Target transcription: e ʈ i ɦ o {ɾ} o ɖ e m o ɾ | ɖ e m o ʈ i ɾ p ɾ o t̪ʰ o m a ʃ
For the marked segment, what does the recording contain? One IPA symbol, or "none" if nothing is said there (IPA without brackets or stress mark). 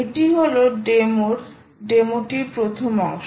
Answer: l